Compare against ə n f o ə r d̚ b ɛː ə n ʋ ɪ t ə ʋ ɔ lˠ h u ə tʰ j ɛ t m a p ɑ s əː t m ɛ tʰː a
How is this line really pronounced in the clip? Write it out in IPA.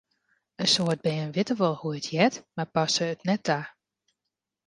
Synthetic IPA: ə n s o ə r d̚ b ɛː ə n ʋ ɪ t ə ʋ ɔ lˠ h u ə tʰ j ɛ t m a p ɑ s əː t n ɛ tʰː a